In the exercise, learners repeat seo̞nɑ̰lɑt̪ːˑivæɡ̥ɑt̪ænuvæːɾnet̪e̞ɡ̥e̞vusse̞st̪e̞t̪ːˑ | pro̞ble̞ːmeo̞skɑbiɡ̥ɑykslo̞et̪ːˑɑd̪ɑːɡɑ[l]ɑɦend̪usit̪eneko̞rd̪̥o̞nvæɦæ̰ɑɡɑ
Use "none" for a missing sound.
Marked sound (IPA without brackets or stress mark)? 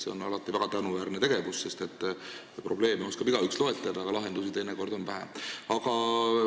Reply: l